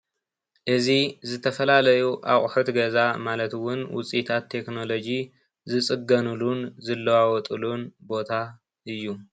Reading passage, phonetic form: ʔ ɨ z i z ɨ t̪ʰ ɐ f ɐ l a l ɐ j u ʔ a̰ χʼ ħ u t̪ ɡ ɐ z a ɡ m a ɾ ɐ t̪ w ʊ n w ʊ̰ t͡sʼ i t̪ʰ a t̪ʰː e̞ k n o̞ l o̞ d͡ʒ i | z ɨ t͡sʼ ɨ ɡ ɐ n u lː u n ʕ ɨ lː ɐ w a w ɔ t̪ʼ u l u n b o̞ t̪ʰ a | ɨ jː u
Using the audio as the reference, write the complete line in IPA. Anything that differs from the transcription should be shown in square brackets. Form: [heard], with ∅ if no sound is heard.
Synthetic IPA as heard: ʔ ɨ z i z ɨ t̪ʰ ɐ f ɐ l a l ɐ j u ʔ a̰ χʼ ħ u t̪ ɡ ɐ z a [∅] m a [l] ɐ t̪ w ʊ n w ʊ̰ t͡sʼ i t̪ʰ a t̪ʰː e̞ k n o̞ l o̞ d͡ʒ i | z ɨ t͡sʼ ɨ ɡ ɐ n u [l] u n [z] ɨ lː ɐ w a w ɔ t̪ʼ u l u n b o̞ t̪ʰ a | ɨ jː u